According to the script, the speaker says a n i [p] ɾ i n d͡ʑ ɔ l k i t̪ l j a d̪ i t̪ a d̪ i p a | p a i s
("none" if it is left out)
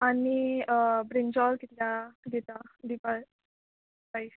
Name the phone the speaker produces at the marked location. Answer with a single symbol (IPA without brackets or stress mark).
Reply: b